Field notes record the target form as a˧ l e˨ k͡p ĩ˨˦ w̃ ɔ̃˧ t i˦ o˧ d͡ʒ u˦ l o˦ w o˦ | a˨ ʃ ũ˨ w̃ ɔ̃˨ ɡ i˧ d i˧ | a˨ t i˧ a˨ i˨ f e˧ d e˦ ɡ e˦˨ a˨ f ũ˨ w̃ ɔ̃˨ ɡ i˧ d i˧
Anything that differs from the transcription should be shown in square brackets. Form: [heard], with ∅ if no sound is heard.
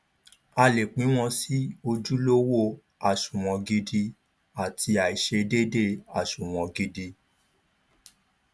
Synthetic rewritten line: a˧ l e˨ k͡p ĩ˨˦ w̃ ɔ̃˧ [s] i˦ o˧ d͡ʒ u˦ l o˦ w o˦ | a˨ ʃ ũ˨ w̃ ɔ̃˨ ɡ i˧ d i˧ | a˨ t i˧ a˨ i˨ [ʃ] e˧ d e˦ [d] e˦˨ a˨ [ʃ] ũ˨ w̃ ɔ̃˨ ɡ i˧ d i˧